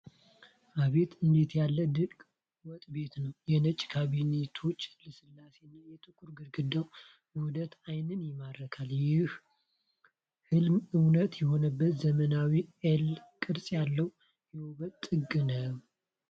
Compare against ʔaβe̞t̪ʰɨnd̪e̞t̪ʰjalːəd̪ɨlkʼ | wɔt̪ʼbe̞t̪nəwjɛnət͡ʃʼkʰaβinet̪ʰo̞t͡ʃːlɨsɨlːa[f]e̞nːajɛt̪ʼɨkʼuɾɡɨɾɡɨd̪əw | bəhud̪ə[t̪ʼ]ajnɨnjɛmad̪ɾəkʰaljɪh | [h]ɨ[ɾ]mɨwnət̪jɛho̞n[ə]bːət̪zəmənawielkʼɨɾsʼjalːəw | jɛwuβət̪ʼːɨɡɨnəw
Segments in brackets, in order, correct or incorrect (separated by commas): incorrect, incorrect, correct, incorrect, correct